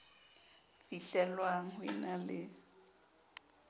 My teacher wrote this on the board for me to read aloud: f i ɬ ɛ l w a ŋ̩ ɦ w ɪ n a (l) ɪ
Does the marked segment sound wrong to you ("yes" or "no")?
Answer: no